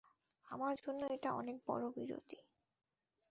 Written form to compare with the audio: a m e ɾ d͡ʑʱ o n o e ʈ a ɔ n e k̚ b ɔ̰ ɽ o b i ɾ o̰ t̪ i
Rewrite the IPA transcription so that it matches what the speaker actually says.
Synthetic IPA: a m a ɾ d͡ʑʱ o nː o e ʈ a ɔ n e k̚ b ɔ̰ ɾ o b i ɾ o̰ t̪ i